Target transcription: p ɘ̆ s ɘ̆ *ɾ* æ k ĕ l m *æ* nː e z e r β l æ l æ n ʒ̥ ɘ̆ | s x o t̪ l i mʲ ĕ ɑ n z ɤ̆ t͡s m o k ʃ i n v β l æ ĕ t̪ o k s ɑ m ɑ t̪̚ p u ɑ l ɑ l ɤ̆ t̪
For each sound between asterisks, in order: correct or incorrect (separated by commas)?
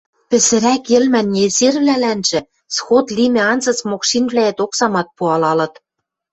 correct, correct